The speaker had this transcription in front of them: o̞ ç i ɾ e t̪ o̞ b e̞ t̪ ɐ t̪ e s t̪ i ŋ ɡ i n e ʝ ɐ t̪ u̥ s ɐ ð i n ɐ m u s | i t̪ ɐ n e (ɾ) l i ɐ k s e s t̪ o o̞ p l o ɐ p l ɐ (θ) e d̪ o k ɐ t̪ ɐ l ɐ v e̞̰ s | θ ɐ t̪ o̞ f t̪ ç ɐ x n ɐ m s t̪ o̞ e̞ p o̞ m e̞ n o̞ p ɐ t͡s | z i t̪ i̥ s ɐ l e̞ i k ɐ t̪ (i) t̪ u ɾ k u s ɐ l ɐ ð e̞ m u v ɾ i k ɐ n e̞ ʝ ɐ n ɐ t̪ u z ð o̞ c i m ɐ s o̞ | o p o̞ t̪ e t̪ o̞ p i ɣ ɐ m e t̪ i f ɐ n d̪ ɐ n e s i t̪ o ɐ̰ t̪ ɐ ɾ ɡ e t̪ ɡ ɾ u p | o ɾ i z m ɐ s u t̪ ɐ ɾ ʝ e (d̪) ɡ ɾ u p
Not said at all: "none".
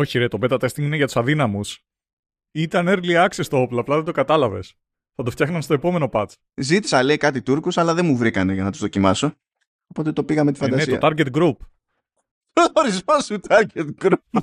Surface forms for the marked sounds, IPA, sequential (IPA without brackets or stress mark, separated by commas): ɾ, ð, i, t̪